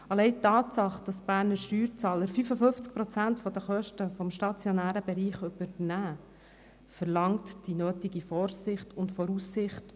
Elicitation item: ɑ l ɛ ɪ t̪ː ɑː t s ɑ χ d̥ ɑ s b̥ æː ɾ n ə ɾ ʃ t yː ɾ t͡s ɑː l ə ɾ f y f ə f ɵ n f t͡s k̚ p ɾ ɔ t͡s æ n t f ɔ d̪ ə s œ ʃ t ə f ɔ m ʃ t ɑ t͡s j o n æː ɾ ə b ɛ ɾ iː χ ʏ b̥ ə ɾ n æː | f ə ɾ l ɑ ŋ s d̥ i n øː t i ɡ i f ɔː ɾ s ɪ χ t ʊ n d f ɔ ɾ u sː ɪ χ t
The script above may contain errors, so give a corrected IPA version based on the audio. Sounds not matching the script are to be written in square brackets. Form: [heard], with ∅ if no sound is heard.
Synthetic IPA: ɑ l ɛ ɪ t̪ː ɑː t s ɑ χ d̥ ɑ s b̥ æː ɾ n ə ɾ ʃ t yː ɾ t͡s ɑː l ə ɾ f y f ə f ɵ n f t͡s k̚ p ɾ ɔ t͡s æ n t f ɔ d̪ ə [χ] œ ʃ t ə f ɔ m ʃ t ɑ t͡s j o n æː ɾ ə b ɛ ɾ iː χ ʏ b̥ ə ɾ n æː | f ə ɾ l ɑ ŋ [t] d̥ i n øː t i ɡ i f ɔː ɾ s ɪ χ t ʊ n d f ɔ ɾ u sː ɪ χ t